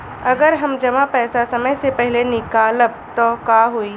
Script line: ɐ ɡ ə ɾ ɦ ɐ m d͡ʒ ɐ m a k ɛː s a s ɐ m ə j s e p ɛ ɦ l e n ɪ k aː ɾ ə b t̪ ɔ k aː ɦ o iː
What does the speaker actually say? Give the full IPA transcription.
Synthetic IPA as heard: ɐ ɡ ə ɾ ɦ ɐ m d͡ʒ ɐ m a p ɛː s a s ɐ m ə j s e p ɛ ɦ l e n ɪ k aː l ə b t̪ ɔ k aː ɦ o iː